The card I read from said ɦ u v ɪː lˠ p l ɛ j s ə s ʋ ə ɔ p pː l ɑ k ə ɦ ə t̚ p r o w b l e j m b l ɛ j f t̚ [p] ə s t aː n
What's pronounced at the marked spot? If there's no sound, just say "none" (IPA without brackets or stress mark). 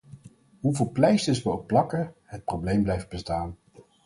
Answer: b